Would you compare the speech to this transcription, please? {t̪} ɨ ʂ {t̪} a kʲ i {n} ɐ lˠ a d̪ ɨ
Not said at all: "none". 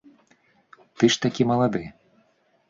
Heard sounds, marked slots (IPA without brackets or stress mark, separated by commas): t̪, t̪, m